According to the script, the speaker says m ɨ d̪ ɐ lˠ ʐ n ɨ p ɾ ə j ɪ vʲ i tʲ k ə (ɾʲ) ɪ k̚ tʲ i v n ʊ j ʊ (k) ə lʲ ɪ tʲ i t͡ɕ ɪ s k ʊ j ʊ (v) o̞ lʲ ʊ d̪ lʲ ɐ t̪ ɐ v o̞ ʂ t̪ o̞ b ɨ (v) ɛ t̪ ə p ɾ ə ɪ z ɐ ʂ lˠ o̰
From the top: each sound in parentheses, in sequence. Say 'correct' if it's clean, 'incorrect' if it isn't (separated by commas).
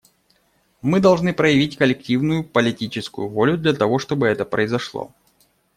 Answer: incorrect, incorrect, correct, incorrect